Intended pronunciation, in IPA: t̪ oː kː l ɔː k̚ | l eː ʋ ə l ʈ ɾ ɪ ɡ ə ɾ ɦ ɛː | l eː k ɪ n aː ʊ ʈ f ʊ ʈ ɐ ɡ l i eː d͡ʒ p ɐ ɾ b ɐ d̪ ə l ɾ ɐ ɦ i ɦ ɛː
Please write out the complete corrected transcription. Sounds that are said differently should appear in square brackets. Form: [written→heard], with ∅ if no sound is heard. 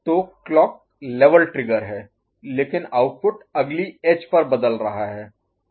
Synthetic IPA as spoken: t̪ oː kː l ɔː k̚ | l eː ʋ ə l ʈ ɾ ɪ ɡ ə ɾ ɦ ɛː | l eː k ɪ n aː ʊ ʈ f ʊ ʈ ɐ ɡ l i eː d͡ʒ p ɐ ɾ b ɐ d̪ ə l ɾ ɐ ɦ [i→a] ɦ ɛː